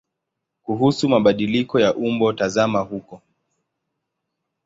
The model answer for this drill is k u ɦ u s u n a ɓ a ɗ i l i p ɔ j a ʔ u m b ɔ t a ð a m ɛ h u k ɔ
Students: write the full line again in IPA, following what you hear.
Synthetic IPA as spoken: k u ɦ u s u m a ɓ a ɗ i l i k ɔ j a ʔ u m b ɔ t a z a m a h u k ɔ